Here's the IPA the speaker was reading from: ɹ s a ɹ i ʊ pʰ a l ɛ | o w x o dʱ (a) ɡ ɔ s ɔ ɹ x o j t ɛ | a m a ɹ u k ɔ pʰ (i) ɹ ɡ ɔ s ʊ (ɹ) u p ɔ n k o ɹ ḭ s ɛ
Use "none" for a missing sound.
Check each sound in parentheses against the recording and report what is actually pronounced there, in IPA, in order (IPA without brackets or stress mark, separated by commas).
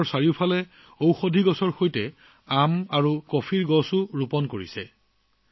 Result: i, i, ɹ